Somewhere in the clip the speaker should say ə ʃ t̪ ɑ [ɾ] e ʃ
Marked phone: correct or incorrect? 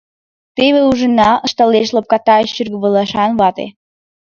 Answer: incorrect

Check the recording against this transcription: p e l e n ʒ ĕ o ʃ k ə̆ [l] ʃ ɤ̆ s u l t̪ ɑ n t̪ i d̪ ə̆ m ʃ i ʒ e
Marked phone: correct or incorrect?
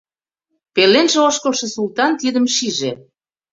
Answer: correct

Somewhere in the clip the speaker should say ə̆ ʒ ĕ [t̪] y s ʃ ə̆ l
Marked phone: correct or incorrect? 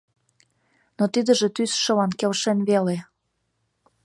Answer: correct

